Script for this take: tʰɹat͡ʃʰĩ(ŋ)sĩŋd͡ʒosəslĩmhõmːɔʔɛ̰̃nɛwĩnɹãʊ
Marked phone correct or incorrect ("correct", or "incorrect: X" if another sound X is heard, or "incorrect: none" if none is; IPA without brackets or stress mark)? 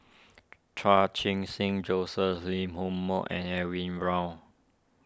correct